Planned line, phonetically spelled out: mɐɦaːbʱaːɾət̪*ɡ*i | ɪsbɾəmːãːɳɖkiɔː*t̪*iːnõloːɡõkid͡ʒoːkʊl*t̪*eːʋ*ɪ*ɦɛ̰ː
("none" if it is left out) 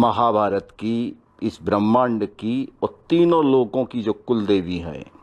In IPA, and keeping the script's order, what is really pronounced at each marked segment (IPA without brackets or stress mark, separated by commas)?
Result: k, t̪, d̪, i